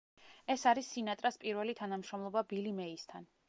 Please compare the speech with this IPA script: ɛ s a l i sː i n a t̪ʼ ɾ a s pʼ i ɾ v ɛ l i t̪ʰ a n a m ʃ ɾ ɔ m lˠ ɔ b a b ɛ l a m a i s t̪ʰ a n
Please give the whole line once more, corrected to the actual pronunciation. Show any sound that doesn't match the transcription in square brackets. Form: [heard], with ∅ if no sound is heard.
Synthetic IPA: ɛ s a [ɾ] i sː i n a t̪ʼ ɾ a s pʼ i ɾ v ɛ l i t̪ʰ a n a m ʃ ɾ ɔ m lˠ ɔ b a b [i] l [i] m [ɛ] i s t̪ʰ a n